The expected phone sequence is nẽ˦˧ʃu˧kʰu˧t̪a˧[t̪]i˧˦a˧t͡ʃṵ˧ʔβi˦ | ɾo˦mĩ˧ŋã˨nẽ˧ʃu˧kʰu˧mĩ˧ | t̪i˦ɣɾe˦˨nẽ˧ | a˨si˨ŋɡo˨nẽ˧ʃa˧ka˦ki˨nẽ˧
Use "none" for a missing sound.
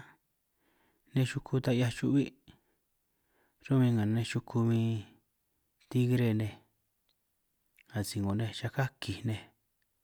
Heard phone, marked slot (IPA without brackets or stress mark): none